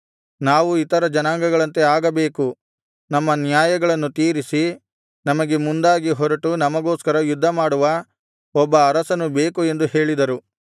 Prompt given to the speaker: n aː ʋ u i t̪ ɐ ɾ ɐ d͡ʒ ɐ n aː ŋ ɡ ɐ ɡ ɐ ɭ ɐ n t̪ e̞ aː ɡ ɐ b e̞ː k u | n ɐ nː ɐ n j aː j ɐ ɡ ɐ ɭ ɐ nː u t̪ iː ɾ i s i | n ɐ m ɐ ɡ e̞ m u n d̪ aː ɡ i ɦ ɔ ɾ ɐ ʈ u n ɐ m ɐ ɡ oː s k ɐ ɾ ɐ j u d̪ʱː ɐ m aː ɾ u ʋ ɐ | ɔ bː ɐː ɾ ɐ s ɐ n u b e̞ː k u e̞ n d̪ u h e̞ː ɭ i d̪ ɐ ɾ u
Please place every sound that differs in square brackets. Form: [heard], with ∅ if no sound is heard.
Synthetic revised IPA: n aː ʋ u i t̪ ɐ ɾ ɐ d͡ʒ ɐ n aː ŋ ɡ ɐ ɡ ɐ ɭ ɐ n t̪ e̞ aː ɡ ɐ b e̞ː k u | n ɐ [mː] ɐ n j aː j ɐ ɡ ɐ ɭ ɐ nː u t̪ iː ɾ i s i | n ɐ m ɐ ɡ e̞ m u n d̪ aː ɡ i ɦ ɔ ɾ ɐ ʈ u n ɐ m ɐ ɡ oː s k ɐ ɾ ɐ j u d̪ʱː ɐ m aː [ɽ] u ʋ ɐ | ɔ bː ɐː ɾ ɐ s ɐ n u b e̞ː k u e̞ n d̪ u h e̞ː ɭ i d̪ ɐ ɾ u